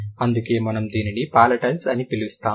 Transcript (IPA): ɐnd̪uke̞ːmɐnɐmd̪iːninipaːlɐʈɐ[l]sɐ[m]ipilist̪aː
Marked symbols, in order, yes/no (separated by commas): yes, no